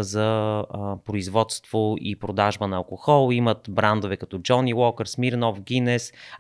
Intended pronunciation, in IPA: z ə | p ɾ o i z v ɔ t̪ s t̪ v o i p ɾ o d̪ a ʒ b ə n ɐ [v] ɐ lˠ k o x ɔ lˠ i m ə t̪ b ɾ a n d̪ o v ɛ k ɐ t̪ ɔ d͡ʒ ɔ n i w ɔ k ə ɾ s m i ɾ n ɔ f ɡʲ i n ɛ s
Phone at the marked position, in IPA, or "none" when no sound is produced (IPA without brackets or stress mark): none